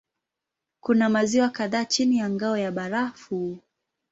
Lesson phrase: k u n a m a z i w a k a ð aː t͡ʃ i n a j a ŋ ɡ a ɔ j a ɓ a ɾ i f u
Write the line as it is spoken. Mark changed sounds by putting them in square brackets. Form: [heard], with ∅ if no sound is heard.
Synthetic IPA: k u n a m a z i w a k a ð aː t͡ʃ i n [i] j a ŋ ɡ a ɔ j a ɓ a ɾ [a] f u